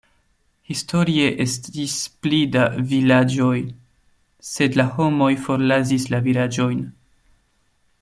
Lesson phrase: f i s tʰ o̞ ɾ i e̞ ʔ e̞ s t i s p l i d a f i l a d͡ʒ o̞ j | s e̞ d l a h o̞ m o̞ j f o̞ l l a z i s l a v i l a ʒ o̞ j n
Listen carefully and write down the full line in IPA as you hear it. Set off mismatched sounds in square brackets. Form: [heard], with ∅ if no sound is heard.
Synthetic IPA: [h] i s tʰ o̞ ɾ i e̞ ʔ e̞ s t i s p l i d a [v] i l a d͡ʒ o̞ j | s e̞ d l a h o̞ m o̞ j f o̞ [ɾ] l a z i s l a v i l a [d͡ʒ] o̞ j n